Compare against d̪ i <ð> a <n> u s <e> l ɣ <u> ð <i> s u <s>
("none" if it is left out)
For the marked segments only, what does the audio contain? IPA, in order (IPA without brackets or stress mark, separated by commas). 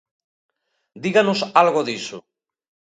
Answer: ɣ, n, a, o, i, none